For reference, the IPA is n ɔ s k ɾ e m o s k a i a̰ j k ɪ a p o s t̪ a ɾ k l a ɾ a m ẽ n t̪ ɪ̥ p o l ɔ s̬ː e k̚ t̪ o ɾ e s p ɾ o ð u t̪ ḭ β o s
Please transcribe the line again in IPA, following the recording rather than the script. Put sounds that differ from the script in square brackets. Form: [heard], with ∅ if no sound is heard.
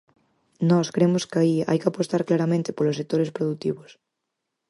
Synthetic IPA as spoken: n ɔ s k ɾ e m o s k a i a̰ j k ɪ a p o s t̪ a ɾ k l a ɾ a m ẽ n t̪ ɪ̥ p o l [o] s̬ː e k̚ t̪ o ɾ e s p ɾ o ð u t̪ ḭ β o s